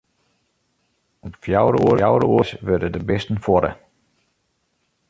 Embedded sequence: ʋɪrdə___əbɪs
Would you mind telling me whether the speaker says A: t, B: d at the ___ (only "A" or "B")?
B